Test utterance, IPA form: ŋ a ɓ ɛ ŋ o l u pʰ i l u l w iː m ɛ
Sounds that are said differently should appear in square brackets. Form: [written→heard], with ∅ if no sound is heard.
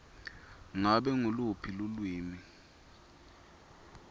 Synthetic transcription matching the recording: ŋ a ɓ ɛ ŋ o l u pʰ i l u l w iː m [ɛ→i]